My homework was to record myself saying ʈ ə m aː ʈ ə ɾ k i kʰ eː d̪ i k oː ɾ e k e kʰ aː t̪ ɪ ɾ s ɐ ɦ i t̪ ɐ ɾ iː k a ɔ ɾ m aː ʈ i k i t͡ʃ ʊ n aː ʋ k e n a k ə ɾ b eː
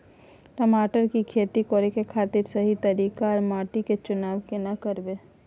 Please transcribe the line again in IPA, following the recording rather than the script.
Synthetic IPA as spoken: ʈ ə m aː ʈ ə ɾ k i kʰ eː t̪ i k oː ɾ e k e kʰ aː t̪ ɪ ɾ s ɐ ɦ i t̪ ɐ ɾ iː k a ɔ ɾ m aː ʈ i k e t͡ʃ ʊ n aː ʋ k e n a k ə ɾ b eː